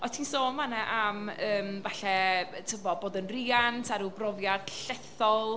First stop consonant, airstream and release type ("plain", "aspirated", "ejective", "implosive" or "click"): aspirated